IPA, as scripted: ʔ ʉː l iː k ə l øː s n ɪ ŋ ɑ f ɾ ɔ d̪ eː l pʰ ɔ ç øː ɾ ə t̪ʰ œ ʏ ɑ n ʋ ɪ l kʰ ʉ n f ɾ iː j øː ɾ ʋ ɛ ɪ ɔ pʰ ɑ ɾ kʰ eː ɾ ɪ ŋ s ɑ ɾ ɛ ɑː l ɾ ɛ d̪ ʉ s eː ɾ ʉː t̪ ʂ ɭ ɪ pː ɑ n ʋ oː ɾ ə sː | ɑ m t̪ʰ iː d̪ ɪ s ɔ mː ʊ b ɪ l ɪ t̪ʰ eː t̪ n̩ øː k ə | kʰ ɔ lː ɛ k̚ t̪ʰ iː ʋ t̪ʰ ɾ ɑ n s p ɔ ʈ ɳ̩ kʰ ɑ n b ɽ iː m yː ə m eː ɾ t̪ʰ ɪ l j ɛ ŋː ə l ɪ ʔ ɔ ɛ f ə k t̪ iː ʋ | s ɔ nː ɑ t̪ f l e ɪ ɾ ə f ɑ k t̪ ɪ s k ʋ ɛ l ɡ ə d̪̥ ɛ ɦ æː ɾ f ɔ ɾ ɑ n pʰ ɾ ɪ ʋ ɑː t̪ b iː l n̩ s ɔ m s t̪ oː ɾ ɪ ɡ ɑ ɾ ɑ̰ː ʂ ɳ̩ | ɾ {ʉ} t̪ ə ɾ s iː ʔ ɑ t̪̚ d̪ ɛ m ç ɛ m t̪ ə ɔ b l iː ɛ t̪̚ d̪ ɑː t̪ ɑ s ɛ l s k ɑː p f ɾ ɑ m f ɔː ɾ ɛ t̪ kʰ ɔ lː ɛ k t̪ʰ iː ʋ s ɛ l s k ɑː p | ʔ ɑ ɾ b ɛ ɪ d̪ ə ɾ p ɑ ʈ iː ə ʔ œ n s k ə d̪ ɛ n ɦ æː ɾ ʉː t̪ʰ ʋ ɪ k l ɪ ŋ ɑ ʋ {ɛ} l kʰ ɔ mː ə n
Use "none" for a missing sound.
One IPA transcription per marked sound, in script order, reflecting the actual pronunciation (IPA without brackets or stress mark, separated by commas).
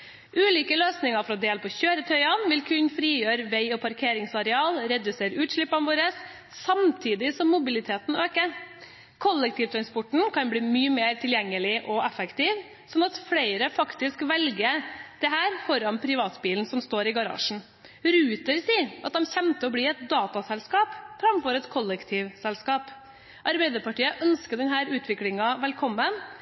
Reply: ʉː, ɛ